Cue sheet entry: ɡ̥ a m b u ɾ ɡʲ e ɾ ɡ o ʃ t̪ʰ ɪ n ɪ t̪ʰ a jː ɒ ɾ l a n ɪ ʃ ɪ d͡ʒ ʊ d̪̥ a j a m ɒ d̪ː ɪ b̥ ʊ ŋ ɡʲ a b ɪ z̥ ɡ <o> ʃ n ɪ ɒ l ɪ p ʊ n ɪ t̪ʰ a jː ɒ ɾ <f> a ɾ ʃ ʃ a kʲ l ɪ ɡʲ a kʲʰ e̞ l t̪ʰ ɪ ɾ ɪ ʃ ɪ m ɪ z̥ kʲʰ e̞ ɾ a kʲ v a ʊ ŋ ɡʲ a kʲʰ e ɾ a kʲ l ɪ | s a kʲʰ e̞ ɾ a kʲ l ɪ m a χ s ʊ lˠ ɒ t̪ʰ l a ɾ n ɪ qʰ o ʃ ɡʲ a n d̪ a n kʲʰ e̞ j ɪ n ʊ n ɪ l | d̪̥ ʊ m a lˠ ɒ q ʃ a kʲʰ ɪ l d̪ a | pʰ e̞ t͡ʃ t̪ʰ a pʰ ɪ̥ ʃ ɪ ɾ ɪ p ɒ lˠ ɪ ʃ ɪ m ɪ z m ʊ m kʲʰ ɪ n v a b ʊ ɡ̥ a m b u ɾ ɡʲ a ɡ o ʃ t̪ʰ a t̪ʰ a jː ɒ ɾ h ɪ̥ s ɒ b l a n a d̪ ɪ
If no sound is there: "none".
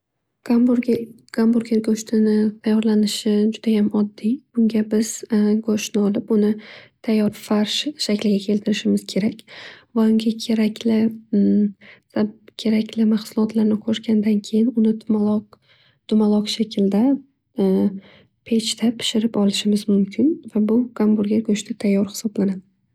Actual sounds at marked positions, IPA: o, f

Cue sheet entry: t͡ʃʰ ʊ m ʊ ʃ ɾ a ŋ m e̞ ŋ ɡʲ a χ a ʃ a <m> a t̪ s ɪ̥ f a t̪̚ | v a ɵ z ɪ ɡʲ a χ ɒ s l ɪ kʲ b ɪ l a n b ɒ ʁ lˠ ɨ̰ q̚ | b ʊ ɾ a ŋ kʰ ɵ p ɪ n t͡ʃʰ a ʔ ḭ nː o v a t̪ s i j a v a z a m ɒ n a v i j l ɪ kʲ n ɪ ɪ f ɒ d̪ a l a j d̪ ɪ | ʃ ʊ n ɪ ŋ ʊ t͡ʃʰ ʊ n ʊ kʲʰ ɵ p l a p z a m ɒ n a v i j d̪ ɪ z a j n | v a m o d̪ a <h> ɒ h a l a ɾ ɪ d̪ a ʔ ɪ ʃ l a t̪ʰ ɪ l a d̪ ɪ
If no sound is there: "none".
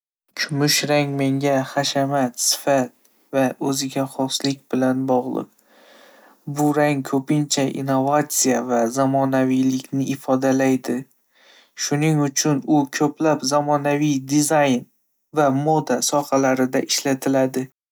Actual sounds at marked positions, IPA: m, s

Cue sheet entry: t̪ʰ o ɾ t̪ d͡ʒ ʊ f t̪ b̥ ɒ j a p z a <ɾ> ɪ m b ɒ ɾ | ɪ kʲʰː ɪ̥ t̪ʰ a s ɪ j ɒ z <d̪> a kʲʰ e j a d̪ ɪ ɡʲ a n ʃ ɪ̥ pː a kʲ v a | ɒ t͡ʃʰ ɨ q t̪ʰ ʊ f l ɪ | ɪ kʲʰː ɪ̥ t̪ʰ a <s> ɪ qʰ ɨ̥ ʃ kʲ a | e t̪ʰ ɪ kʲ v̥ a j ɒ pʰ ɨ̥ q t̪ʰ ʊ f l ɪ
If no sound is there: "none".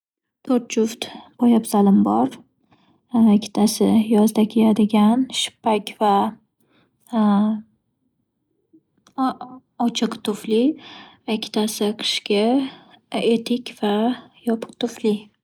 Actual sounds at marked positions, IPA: l, d̪, s

